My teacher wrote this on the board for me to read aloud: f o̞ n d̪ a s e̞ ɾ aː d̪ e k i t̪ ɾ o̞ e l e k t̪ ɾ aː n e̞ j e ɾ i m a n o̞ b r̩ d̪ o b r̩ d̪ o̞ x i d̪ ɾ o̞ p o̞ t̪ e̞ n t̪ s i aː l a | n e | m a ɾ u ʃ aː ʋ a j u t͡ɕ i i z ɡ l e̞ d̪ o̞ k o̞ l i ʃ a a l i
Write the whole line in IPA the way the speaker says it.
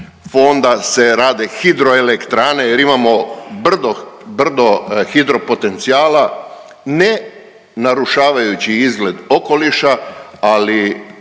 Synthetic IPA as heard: f o̞ n d̪ a s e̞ ɾ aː d̪ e x i d̪ ɾ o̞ e l e k t̪ ɾ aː n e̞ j e ɾ i m a m o̞ b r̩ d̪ o b r̩ d̪ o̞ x i d̪ ɾ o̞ p o̞ t̪ e̞ n t̪ s i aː l a | n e | n a ɾ u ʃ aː ʋ a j u t͡ɕ i i z ɡ l e̞ d̪ o̞ k o̞ l i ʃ a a l i